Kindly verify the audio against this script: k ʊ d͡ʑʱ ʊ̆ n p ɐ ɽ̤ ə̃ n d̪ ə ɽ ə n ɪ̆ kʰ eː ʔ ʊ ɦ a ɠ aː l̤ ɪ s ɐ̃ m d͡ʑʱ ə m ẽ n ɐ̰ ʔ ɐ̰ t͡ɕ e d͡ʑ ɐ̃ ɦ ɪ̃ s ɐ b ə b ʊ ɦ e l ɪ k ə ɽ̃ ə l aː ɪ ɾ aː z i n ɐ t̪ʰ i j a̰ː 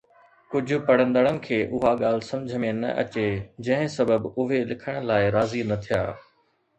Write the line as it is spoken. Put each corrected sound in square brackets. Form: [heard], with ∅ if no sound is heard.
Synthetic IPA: k ʊ d͡ʑʱ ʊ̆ [∅] p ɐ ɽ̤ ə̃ n d̪ ə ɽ ə n ɪ̆ kʰ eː ʔ ʊ ɦ a ɠ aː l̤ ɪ s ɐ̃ m d͡ʑʱ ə m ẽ n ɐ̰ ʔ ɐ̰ t͡ɕ e d͡ʑ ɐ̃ ɦ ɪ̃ s ɐ b ə b ʊ ɦ e l ɪ [kʰ] ə ɽ̃ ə l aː ɪ ɾ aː z i n ɐ t̪ʰ i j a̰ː

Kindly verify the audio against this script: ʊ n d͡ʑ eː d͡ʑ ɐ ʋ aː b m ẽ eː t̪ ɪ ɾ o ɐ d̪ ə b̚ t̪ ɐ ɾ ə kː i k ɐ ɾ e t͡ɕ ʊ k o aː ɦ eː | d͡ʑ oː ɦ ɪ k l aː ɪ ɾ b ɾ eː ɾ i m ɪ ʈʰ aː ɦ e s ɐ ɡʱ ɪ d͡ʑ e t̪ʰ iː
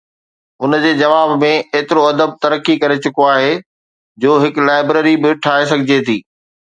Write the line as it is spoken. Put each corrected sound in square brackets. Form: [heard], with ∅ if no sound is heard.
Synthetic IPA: ʊ n d͡ʑ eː d͡ʑ ɐ ʋ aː b m ẽ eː t̪ ɪ ɾ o ɐ d̪ ə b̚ t̪ ɐ ɾ ə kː i k ɐ ɾ e t͡ɕ ʊ k o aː ɦ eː | d͡ʑ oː ɦ ɪ k l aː ɪ [∅] b ɾ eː ɾ i [b] ɪ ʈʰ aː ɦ e s ɐ ɡʱ ɪ d͡ʑ e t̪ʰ iː

